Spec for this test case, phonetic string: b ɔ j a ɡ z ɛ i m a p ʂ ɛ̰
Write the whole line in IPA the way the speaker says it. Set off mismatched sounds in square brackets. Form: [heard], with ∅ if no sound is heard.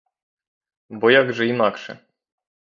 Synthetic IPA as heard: b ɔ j a ɡ [ʐ] ɛ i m a [k] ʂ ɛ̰